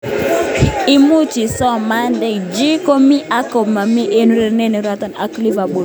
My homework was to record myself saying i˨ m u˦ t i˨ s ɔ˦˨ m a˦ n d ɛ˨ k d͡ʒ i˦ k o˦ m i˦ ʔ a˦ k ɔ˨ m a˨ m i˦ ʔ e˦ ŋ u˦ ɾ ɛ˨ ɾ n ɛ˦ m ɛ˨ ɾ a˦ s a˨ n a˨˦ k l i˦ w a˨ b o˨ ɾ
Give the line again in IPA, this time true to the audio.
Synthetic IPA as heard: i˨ m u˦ t͡ʃ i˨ s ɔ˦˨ m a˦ n d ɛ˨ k d͡ʒ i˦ k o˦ m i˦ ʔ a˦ k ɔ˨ m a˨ m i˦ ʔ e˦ n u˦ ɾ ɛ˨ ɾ n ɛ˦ n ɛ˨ ɾ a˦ t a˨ n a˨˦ k l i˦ v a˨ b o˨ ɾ